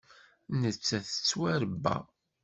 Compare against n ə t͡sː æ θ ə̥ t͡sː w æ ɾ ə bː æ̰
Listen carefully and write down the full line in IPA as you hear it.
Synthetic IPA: n ə t͡sː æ θ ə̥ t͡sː w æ ɾ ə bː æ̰